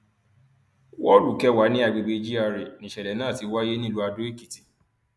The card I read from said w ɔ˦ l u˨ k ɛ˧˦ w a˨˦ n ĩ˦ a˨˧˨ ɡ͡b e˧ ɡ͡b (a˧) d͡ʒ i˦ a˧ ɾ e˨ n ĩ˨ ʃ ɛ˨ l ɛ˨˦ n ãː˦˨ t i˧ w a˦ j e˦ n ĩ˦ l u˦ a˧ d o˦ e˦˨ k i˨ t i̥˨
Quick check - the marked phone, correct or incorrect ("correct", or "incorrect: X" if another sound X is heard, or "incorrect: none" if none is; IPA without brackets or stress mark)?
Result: incorrect: e˧